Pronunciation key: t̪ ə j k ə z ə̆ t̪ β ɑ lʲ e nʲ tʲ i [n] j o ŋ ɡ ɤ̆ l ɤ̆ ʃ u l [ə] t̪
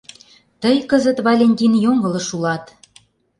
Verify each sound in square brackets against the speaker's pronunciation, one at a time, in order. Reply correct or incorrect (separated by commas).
correct, incorrect